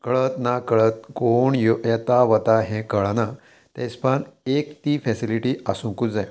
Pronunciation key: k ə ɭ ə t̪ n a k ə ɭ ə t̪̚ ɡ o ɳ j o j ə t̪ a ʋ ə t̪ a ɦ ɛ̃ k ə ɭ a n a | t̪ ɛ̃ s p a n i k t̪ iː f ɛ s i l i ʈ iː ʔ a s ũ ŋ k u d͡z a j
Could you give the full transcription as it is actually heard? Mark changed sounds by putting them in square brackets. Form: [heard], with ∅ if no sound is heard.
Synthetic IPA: k ə ɭ ə t̪ n a k ə ɭ ə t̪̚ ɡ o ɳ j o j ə t̪ a ʋ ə t̪ a ɦ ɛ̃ k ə ɭ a n a | t̪ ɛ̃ s p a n [e] k t̪ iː f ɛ s i l i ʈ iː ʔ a s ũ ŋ k u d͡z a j